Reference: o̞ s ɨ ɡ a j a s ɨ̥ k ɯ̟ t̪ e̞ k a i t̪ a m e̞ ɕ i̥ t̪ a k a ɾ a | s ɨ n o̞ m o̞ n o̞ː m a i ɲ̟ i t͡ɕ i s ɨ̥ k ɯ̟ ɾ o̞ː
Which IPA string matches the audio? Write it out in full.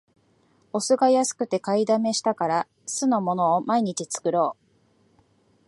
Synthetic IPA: o̞ s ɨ ɡ a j a s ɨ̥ k ɯ̟ t̪ e̞ k a i d̪ a m e̞ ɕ i̥ t̪ a k a ɾ a | s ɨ n o̞ m o̞ n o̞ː m a i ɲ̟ i t͡ɕ i t͡s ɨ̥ k ɯ̟ ɾ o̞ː